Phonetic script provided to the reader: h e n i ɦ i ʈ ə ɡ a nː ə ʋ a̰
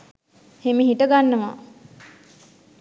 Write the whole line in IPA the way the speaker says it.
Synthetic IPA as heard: h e m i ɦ i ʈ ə ɡ a nː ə ʋ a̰